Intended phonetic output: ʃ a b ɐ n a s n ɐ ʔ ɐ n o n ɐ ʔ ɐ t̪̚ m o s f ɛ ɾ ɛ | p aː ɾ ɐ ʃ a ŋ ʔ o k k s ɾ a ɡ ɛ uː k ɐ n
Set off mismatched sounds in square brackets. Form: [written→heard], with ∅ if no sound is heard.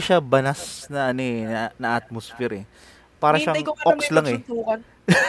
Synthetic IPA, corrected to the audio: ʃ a b ɐ n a s n ɐ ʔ ɐ n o n ɐ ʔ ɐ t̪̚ m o s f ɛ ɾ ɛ | p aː ɾ ɐ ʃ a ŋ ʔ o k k s [ɾ→l] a [ɡ→ŋ] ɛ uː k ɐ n